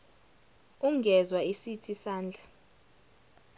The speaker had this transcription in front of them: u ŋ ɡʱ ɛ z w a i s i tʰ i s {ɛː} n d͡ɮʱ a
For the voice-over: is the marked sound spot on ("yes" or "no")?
no